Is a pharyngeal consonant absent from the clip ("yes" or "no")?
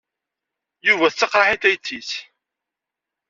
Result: no